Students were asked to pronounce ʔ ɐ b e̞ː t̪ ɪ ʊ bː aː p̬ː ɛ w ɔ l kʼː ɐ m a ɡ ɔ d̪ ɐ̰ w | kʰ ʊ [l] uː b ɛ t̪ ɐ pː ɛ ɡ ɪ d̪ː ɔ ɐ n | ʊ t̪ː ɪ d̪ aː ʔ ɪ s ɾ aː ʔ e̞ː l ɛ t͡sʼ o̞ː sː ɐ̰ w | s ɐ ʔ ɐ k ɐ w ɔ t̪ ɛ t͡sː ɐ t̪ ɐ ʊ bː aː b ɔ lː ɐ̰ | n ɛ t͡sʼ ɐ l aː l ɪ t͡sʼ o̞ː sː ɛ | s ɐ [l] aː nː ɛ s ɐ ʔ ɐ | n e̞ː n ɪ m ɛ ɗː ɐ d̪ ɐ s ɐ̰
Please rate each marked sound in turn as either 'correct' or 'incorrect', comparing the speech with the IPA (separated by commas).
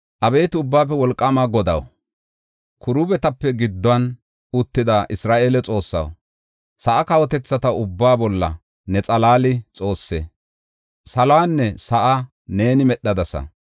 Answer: incorrect, correct